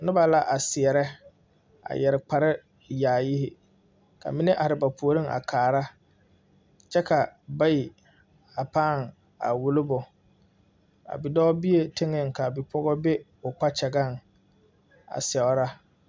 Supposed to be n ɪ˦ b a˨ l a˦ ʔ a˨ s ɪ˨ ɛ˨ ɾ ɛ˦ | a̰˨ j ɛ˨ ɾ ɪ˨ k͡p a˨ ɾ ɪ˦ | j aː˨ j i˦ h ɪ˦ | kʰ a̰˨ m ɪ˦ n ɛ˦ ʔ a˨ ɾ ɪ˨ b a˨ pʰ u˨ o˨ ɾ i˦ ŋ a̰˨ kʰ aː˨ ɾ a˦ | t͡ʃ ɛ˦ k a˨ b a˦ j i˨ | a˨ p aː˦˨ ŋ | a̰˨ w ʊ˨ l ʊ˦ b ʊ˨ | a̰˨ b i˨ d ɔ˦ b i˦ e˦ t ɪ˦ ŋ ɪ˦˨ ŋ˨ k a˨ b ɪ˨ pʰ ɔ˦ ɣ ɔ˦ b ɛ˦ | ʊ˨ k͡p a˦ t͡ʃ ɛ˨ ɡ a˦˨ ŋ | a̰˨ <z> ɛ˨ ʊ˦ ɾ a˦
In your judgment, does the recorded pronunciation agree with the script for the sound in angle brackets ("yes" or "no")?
no